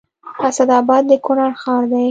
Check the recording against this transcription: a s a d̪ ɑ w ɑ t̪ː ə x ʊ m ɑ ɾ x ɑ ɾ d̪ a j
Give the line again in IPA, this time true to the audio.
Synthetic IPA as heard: a s a d̪ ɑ b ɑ d̪ː ə k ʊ n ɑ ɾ x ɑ ɾ d̪ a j